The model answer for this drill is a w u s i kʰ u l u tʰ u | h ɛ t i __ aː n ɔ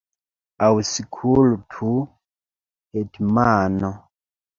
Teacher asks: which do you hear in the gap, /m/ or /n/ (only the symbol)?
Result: m